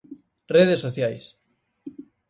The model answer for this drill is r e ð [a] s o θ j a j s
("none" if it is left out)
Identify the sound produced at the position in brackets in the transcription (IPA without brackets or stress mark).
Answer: e